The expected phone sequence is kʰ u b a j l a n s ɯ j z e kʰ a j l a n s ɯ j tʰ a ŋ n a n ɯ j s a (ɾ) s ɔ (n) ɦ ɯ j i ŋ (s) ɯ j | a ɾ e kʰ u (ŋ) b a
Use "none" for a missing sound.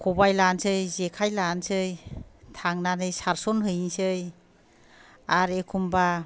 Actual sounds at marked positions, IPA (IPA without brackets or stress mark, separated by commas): ɾ, n, s, m